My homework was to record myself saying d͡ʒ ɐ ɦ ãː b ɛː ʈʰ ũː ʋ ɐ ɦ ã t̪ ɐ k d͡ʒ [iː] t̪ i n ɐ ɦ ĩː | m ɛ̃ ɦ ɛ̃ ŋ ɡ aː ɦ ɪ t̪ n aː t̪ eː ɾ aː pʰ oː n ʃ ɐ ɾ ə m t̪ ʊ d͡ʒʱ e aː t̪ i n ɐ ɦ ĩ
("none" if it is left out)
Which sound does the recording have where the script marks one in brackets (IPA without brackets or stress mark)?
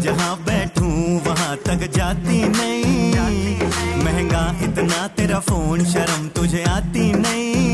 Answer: aː